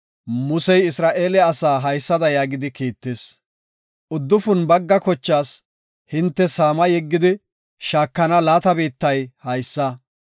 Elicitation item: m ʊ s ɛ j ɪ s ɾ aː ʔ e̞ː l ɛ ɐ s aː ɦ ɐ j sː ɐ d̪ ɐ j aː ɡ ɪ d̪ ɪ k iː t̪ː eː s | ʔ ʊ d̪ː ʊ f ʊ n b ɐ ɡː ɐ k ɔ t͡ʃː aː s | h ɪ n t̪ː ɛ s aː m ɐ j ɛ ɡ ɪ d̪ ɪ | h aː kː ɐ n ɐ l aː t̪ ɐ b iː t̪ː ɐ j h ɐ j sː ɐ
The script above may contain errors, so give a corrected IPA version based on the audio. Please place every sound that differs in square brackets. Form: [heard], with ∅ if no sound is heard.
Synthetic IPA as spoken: m ʊ s ɛ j ɪ s ɾ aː ʔ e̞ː l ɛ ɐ s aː ɦ ɐ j sː ɐ d̪ ɐ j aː ɡ ɪ d̪ ɪ k iː t̪ː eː s | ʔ ʊ d̪ː ʊ f ʊ n b ɐ ɡː ɐ k ɔ t͡ʃː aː s | h ɪ n t̪ː ɛ s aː m ɐ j ɛ [ɡː] ɪ d̪ ɪ | [ʃ] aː kː ɐ n ɐ l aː t̪ ɐ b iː t̪ː ɐ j h ɐ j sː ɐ

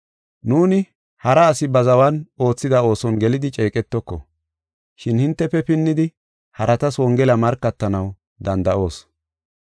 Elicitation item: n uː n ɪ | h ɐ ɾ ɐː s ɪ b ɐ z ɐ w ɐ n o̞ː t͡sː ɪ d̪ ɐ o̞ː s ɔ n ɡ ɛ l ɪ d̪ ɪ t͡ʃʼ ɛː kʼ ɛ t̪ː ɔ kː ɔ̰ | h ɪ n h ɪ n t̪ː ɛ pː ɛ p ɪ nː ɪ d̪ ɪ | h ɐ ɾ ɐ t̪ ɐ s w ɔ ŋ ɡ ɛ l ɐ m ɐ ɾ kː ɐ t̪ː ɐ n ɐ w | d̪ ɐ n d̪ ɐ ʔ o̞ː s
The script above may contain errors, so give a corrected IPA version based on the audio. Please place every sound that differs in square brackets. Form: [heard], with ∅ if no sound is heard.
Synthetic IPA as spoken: n uː n ɪ | h ɐ ɾ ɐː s ɪ b ɐ z ɐ w ɐ n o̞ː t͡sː ɪ d̪ ɐ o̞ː s ɔ n ɡ ɛ l ɪ d̪ ɪ t͡ʃʼ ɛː kʼ ɛ t̪ː ɔ kː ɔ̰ | [ʃ] ɪ n h ɪ n t̪ː ɛ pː ɛ p ɪ nː ɪ d̪ ɪ | h ɐ ɾ ɐ t̪ ɐ s w ɔ ŋ ɡ ɛ l ɐ m ɐ ɾ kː ɐ t̪ː ɐ n ɐ w | d̪ ɐ n d̪ ɐ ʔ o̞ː s

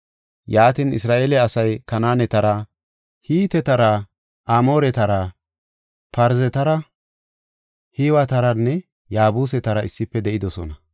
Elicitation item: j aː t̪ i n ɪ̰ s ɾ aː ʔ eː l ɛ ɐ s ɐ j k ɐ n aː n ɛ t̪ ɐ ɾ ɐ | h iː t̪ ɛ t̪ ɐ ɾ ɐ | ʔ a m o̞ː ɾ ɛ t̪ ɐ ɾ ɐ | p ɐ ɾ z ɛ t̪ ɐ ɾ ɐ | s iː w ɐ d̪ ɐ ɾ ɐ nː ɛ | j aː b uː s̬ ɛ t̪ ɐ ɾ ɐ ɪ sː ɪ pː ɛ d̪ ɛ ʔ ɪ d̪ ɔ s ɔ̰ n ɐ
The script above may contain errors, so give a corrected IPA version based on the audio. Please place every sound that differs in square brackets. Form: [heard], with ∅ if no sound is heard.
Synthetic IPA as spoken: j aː t̪ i n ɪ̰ s ɾ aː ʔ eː l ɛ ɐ s ɐ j k ɐ n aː n ɛ t̪ ɐ ɾ ɐ | h iː t̪ ɛ t̪ ɐ ɾ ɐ | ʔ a m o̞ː ɾ ɛ t̪ ɐ ɾ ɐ | p ɐ ɾ z ɛ t̪ ɐ ɾ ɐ | [h] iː w ɐ [t̪] ɐ ɾ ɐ nː ɛ | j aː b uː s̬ ɛ t̪ ɐ ɾ ɐ ɪ sː ɪ pː ɛ d̪ ɛ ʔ ɪ d̪ ɔ s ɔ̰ n ɐ

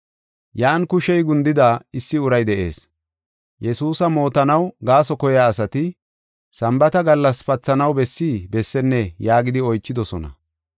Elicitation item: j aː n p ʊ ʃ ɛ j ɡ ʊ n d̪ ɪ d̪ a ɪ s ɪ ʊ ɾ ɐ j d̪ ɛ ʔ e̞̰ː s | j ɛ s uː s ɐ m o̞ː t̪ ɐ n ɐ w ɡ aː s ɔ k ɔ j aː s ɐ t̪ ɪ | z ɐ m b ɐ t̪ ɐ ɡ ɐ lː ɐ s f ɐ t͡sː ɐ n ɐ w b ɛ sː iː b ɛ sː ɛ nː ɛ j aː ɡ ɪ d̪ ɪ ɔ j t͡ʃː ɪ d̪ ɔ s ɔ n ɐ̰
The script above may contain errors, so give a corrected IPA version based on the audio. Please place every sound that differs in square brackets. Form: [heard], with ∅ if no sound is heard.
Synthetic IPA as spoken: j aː n [k] ʊ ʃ ɛ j ɡ ʊ n d̪ ɪ d̪ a ɪ [sː] ɪ ʊ ɾ ɐ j d̪ ɛ ʔ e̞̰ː s | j ɛ s uː s ɐ m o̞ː t̪ ɐ n ɐ w ɡ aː s ɔ k ɔ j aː s ɐ t̪ ɪ | [s] ɐ m b ɐ t̪ ɐ ɡ ɐ lː ɐ s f ɐ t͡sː ɐ n ɐ w b ɛ sː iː b ɛ sː ɛ nː ɛ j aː ɡ ɪ d̪ ɪ ɔ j t͡ʃː ɪ d̪ ɔ s ɔ n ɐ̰

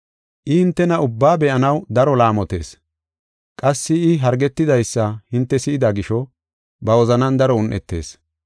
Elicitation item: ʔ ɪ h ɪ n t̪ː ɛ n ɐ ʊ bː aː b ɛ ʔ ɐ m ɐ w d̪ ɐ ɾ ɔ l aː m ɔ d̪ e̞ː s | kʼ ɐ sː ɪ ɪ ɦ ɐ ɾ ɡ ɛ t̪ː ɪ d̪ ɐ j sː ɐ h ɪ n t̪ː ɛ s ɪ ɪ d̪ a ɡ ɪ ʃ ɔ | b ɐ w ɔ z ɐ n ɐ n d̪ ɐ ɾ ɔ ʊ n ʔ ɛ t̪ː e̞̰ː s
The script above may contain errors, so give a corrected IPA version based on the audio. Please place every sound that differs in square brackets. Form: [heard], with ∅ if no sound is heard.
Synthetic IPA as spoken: ʔ ɪ h ɪ n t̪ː ɛ n ɐ ʊ bː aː b ɛ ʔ ɐ [n] ɐ w d̪ ɐ ɾ ɔ l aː m ɔ [t̪] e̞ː s | kʼ ɐ sː ɪ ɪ ɦ ɐ ɾ ɡ ɛ t̪ː ɪ d̪ ɐ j sː ɐ h ɪ n t̪ː ɛ s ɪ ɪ d̪ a ɡ ɪ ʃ ɔ | b ɐ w ɔ z ɐ n ɐ n d̪ ɐ ɾ ɔ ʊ n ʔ ɛ t̪ː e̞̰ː s

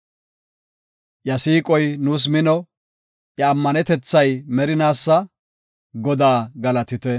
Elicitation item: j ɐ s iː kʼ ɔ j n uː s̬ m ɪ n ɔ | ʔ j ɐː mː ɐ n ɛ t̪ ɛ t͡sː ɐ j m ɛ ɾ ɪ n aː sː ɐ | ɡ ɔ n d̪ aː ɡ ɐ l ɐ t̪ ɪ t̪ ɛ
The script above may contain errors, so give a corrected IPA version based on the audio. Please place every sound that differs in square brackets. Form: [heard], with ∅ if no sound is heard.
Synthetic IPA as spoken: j ɐ s iː kʼ ɔ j n uː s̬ m ɪ n ɔ | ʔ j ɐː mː ɐ n ɛ t̪ ɛ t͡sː ɐ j m ɛ ɾ ɪ n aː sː ɐ | ɡ ɔ [∅] d̪ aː ɡ ɐ l ɐ t̪ ɪ t̪ ɛ

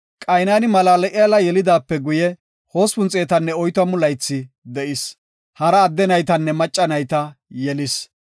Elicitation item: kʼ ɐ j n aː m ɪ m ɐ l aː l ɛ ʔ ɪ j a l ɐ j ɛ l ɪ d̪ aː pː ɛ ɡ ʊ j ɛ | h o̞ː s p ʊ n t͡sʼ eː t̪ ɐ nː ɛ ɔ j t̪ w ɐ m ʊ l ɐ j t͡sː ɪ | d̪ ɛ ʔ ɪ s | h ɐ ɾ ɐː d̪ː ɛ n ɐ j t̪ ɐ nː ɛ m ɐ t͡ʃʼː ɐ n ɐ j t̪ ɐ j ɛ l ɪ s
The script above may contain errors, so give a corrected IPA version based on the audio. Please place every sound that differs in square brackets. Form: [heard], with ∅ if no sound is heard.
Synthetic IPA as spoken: kʼ ɐ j n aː [n] ɪ m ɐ l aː l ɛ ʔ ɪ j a l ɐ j ɛ l ɪ d̪ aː pː ɛ ɡ ʊ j ɛ | h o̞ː s p ʊ n t͡sʼ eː t̪ ɐ nː ɛ ɔ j t̪ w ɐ m ʊ l ɐ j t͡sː ɪ | d̪ ɛ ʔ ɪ s | h ɐ ɾ ɐː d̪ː ɛ n ɐ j t̪ ɐ nː ɛ m ɐ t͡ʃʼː ɐ n ɐ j t̪ ɐ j ɛ l ɪ s

